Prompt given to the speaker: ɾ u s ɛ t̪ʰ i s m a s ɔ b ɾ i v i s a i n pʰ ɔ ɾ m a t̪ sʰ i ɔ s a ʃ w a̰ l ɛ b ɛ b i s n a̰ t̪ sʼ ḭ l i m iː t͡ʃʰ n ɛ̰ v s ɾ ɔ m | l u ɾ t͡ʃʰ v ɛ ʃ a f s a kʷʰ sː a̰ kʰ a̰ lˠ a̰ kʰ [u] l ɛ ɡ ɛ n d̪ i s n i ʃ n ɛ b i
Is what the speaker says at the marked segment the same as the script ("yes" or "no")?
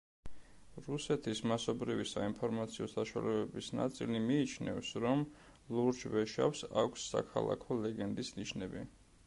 no